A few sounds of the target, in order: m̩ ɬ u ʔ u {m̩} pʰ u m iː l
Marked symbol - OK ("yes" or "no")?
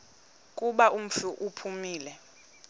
no